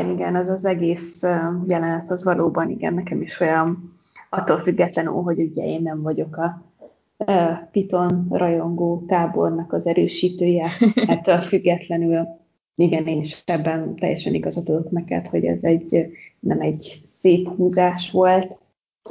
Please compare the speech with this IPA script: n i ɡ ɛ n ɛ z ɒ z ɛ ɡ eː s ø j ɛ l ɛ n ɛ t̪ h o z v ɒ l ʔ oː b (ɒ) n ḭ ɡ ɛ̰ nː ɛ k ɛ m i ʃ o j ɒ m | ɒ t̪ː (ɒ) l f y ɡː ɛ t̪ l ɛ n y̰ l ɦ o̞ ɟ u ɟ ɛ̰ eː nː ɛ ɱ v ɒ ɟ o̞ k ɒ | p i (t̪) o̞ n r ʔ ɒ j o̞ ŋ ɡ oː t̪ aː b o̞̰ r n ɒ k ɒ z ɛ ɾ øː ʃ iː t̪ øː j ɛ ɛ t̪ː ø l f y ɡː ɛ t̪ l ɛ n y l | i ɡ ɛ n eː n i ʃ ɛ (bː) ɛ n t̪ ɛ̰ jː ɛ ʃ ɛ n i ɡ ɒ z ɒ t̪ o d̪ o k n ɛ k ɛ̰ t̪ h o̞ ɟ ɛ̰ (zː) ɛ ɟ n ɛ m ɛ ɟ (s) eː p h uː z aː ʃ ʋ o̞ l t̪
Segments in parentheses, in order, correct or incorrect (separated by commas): correct, incorrect, correct, correct, incorrect, correct